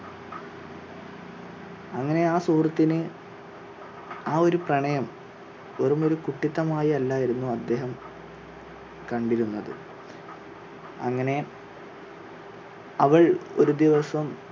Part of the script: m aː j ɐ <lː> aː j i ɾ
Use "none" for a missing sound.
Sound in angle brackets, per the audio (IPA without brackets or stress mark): lː